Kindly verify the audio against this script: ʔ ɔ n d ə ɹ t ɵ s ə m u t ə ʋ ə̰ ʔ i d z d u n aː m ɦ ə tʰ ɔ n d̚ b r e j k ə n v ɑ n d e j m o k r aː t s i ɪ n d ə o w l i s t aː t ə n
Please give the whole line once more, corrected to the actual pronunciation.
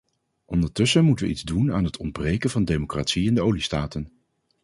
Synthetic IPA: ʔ ɔ n d ə ɹ t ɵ s ə m u t ə ʋ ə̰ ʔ i d z d u n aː n ɦ ə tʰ ɔ n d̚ b r e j k ə n v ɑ n d e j m o k r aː t s i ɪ n d ə o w l i s t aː t ə n